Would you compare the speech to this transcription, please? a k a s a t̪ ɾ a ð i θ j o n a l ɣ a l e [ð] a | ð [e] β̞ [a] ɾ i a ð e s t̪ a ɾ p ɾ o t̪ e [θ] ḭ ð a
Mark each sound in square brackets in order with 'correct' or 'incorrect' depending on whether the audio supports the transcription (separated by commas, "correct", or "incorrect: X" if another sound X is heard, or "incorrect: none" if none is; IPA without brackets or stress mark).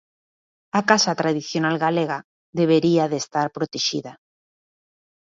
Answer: incorrect: ɣ, correct, incorrect: e, incorrect: ʃ